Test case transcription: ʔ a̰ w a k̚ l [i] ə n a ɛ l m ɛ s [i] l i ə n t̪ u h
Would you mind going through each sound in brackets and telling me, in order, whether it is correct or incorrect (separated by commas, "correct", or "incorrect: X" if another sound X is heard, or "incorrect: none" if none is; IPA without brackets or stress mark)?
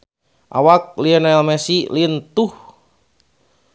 correct, correct